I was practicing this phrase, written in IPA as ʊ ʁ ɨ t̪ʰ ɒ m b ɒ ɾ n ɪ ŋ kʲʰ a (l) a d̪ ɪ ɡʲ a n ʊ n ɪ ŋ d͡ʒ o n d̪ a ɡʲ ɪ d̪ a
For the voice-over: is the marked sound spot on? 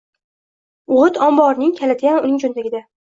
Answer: yes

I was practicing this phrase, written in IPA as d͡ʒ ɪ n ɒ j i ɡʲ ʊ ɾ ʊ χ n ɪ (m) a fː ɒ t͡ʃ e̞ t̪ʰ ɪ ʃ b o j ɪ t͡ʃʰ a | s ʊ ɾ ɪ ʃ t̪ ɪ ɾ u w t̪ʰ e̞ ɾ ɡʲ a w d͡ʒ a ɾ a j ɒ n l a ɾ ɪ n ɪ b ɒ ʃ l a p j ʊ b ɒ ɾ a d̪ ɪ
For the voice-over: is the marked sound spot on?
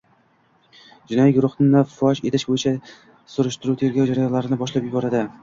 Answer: no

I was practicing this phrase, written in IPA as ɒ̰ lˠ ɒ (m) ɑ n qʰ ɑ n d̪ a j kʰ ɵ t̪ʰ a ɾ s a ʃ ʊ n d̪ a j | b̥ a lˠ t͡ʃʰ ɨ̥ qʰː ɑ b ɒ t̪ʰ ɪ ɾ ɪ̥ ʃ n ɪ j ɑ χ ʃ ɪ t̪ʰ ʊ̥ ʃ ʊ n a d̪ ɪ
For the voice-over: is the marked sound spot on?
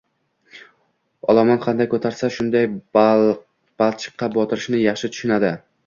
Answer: yes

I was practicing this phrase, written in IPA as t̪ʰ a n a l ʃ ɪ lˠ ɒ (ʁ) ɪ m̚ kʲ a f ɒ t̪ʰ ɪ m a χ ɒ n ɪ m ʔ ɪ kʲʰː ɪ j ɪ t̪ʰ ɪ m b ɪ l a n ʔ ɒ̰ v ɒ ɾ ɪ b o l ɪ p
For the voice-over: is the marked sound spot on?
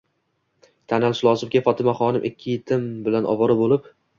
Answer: no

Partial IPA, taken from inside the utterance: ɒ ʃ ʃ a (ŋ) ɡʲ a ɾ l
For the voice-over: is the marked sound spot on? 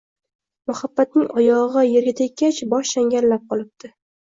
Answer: yes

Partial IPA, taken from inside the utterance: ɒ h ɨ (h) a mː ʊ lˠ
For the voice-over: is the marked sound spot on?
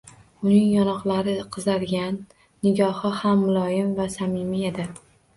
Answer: yes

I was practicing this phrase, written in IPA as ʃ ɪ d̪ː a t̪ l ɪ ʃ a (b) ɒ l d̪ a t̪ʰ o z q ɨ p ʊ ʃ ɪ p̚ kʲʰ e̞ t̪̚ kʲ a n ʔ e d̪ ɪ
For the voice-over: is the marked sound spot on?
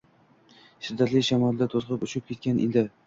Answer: no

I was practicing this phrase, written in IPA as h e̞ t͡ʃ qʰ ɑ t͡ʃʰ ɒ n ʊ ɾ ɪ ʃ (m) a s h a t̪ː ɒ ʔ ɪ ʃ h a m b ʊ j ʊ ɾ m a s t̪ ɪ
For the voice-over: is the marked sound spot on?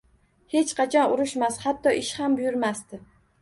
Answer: yes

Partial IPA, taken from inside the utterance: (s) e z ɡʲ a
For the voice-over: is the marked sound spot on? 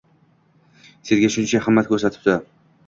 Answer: yes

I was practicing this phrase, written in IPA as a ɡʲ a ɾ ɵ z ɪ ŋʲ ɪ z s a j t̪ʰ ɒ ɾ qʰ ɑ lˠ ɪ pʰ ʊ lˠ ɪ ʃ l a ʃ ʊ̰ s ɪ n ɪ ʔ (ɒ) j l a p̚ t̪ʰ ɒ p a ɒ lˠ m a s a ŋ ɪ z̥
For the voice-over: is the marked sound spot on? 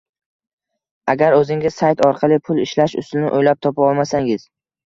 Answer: no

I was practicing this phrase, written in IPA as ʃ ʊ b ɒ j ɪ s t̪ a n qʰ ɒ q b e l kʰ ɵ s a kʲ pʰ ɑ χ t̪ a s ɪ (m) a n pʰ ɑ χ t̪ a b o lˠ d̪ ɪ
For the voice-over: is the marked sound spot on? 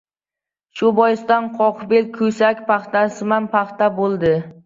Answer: yes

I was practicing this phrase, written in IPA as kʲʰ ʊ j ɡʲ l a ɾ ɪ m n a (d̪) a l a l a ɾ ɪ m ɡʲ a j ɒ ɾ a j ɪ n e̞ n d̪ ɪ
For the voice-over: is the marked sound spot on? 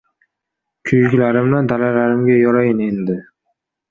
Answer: yes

